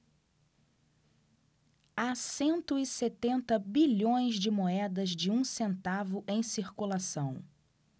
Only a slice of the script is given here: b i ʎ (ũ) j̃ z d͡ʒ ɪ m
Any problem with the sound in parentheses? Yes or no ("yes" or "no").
yes